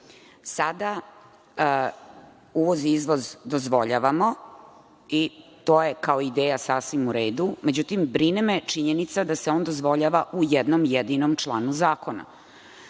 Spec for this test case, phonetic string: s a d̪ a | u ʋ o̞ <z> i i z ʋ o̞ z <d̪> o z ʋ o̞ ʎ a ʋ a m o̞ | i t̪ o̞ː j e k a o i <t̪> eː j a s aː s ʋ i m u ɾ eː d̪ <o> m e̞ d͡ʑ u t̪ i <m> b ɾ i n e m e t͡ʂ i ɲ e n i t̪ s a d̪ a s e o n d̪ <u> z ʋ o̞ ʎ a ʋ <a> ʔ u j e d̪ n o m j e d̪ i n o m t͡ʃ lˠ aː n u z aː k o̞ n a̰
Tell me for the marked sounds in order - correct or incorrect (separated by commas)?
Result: correct, correct, incorrect, incorrect, correct, incorrect, correct